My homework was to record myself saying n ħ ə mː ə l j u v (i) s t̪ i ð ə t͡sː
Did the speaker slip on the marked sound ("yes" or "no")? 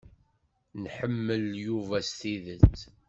yes